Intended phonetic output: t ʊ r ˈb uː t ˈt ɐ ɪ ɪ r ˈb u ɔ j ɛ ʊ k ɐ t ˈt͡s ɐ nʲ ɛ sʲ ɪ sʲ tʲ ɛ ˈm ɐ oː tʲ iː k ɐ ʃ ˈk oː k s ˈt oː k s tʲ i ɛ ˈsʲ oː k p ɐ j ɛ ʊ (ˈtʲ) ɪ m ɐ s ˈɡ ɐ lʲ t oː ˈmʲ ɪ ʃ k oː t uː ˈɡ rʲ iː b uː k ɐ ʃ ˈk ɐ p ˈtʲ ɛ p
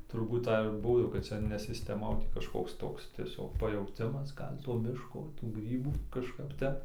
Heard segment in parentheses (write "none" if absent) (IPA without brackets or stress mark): tʲ